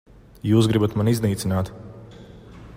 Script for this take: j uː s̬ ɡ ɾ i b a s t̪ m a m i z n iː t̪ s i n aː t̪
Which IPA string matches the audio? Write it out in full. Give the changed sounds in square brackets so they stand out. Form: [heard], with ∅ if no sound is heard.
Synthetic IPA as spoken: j uː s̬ ɡ ɾ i b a [∅] t̪ m a [n] i z n iː t̪ s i n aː t̪